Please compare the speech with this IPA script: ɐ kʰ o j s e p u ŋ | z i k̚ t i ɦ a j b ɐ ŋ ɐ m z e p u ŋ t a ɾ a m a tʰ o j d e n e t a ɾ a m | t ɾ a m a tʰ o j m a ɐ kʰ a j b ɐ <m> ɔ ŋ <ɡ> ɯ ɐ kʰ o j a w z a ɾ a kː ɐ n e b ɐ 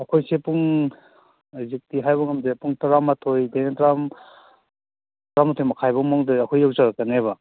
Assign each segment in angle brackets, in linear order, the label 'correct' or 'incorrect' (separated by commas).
correct, incorrect